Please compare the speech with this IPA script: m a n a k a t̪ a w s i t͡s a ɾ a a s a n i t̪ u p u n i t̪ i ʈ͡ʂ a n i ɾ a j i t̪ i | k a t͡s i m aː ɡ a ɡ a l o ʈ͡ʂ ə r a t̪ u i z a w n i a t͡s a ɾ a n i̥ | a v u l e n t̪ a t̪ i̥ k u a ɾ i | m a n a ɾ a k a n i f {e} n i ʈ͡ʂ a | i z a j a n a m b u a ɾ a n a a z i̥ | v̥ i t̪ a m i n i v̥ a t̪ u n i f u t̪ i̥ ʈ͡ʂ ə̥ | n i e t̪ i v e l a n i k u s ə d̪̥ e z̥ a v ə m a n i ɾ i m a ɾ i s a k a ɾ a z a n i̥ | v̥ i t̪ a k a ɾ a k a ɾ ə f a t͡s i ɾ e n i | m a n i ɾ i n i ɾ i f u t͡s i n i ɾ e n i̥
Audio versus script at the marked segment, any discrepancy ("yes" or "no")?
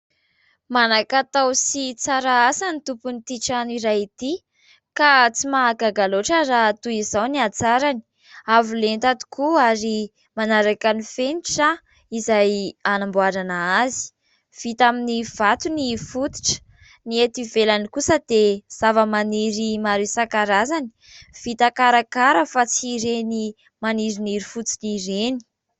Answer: no